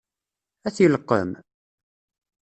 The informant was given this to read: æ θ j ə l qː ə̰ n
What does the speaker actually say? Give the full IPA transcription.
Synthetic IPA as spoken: æ θ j ə l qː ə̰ m